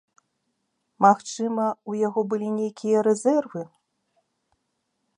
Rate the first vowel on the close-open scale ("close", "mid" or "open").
open